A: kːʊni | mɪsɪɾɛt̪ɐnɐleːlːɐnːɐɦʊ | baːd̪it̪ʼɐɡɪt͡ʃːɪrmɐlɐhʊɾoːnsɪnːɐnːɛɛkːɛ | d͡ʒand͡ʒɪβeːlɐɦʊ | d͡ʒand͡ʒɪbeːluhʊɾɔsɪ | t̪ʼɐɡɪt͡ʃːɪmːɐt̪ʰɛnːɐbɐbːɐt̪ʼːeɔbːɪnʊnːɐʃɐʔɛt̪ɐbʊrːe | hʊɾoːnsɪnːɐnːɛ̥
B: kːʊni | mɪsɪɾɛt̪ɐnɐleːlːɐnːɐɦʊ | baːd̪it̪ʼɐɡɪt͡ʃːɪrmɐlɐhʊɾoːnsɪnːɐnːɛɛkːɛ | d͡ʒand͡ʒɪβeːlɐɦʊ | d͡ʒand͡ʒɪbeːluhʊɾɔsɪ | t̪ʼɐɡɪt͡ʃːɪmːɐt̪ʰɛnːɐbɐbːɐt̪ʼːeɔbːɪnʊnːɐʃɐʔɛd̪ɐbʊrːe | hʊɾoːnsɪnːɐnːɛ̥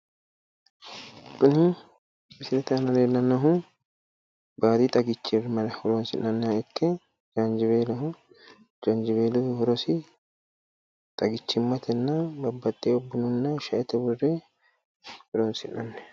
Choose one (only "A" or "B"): A